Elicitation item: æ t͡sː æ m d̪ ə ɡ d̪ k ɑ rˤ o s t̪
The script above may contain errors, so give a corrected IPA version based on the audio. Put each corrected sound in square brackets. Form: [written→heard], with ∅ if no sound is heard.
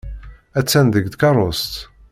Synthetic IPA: æ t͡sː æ [m→n] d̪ ə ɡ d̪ k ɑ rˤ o s t̪